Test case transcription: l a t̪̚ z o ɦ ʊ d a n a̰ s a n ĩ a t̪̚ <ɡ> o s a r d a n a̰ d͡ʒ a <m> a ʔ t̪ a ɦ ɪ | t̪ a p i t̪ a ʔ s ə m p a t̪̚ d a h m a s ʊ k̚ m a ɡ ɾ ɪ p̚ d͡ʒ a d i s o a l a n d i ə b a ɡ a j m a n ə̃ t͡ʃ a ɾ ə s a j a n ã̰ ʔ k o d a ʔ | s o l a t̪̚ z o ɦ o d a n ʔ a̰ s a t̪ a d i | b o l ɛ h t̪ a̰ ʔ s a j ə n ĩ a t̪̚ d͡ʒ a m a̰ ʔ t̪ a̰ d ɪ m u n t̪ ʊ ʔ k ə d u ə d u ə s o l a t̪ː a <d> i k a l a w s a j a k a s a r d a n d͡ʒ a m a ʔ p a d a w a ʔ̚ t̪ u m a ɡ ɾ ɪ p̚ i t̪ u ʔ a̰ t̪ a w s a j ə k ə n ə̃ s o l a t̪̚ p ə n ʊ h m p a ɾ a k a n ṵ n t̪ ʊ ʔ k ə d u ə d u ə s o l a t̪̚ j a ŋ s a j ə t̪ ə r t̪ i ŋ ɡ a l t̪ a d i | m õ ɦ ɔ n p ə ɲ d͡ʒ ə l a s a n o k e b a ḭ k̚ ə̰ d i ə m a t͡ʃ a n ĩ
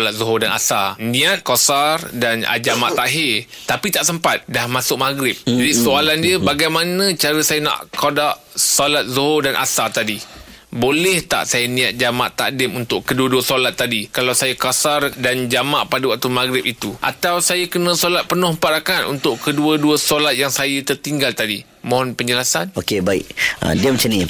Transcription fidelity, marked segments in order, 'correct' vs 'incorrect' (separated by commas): incorrect, correct, correct